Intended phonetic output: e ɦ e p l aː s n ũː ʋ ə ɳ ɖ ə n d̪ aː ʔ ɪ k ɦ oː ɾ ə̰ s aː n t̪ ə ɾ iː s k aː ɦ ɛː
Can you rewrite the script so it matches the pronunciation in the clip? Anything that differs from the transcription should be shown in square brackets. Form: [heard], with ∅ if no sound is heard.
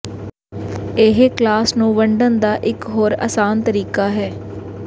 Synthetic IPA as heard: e ɦ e [k] l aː s n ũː ʋ ə ɳ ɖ ə n d̪ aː ʔ ɪ k ɦ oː ɾ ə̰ s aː n t̪ ə ɾ iː [∅] k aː ɦ ɛː